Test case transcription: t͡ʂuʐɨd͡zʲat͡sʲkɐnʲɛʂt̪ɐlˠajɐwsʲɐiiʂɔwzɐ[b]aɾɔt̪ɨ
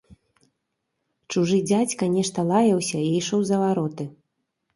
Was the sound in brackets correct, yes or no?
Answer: no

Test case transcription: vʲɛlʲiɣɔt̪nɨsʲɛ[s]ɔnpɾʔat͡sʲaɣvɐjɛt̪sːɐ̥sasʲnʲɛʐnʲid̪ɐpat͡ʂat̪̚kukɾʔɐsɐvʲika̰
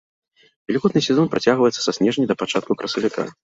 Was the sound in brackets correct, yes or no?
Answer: no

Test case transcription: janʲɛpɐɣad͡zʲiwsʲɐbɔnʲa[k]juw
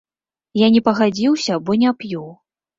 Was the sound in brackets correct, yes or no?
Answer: no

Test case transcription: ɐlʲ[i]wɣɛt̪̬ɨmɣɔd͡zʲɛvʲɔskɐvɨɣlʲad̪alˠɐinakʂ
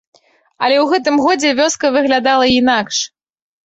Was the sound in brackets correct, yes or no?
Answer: no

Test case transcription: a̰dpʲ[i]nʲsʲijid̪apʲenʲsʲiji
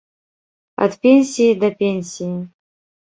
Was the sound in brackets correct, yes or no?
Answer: no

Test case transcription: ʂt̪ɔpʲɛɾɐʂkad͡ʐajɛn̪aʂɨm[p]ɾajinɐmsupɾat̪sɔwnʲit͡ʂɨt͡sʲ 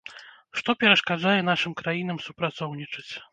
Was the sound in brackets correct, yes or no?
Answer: no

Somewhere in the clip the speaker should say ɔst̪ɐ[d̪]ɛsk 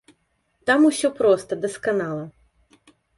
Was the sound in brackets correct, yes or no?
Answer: yes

